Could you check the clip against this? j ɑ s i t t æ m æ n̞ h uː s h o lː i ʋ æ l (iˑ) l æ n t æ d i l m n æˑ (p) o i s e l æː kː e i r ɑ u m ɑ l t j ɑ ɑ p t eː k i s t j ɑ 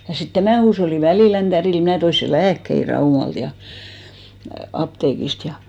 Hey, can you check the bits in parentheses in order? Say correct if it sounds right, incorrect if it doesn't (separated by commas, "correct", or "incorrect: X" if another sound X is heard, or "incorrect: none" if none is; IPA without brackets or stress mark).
correct, incorrect: t